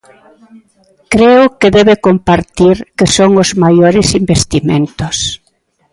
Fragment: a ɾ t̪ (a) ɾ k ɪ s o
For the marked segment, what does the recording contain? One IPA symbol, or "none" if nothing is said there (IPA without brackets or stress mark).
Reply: i